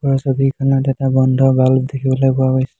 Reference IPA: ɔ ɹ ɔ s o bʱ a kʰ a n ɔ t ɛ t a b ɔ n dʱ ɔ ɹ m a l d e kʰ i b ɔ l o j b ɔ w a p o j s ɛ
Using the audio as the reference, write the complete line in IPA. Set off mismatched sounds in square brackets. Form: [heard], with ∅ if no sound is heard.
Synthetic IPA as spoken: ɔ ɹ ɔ s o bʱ [i] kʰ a n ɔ t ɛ t a b ɔ n dʱ ɔ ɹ [b] a l d e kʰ i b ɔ l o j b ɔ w a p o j s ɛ